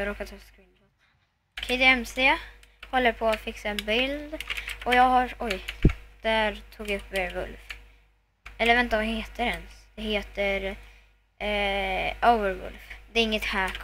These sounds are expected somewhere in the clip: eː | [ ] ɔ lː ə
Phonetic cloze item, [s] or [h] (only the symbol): h